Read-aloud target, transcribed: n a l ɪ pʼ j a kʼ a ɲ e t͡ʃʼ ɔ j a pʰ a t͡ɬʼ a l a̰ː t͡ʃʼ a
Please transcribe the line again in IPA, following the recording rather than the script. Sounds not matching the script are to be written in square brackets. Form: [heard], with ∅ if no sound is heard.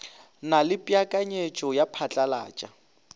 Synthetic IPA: n a l ɪ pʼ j a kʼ a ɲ e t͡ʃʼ ɔ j a pʰ a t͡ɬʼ a l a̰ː t͡ʃʼ a

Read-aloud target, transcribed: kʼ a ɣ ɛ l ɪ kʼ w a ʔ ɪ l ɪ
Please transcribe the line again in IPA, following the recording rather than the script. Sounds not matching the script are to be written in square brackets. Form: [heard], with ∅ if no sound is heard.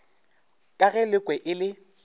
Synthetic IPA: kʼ a ɣ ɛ l ɪ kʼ w [ɛ] ʔ ɪ l ɪ

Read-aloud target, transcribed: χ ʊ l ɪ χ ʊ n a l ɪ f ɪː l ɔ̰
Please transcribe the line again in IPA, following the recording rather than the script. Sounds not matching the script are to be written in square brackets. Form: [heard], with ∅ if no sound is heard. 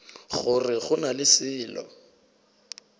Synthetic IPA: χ ʊ [r] ɪ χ ʊ n a l ɪ [s] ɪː l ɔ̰

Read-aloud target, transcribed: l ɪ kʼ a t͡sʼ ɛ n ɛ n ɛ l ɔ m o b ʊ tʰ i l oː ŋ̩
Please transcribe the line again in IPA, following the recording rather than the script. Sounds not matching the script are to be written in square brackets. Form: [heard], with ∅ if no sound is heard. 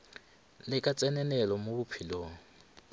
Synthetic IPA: l ɪ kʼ a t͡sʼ ɛ n ɛ n ɛ l ɔ m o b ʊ [pʰ] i l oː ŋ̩

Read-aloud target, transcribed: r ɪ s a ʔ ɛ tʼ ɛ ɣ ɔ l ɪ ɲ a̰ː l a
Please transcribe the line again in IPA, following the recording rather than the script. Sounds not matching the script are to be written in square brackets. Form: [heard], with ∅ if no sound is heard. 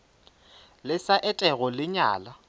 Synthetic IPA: [l] ɪ s a ʔ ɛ tʼ ɛ ɣ ɔ l ɪ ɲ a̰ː l a

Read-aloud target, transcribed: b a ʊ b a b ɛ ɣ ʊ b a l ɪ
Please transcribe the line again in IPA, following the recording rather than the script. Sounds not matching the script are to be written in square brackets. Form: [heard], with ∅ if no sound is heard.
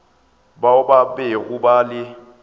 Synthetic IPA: b a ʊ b a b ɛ ɣ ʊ b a l ɪ

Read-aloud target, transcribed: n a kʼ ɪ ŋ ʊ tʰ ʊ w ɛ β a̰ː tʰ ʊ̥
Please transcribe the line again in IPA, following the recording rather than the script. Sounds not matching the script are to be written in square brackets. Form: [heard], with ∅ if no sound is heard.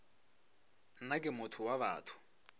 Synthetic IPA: n a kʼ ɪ [m] ʊ tʰ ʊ w [a] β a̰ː tʰ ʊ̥

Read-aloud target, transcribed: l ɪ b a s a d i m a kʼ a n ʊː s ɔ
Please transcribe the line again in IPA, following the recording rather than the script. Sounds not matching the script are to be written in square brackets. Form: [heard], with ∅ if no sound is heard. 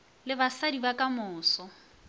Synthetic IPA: l ɪ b a s a d i [b] a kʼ a [m] ʊː s ɔ

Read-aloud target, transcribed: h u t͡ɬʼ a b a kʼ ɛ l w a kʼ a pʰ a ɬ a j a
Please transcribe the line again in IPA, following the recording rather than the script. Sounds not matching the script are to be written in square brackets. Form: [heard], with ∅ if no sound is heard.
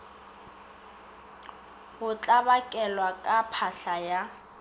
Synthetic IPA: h [ʊ] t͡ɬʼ a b a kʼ ɛ l w a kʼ a pʰ a ɬ a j a

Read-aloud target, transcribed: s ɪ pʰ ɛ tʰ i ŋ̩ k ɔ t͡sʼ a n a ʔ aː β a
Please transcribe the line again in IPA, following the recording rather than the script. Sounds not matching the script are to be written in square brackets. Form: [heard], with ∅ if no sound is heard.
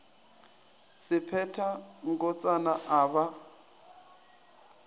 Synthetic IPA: s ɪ pʰ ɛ tʰ [a] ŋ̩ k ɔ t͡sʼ a n a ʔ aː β a

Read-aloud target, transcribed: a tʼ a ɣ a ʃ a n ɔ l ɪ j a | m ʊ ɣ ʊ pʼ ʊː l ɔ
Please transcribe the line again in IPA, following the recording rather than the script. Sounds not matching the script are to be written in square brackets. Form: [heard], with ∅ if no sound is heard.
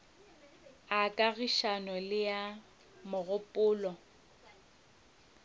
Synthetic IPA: a [kʼ] a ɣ [i] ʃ a n ɔ l ɪ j a | m ʊ ɣ ʊ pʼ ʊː l ɔ

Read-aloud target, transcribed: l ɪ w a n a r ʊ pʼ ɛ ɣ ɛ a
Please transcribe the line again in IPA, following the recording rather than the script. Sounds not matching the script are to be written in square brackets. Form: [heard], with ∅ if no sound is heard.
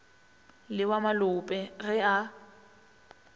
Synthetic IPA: l ɪ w a [m] a [l] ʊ pʼ ɛ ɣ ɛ a

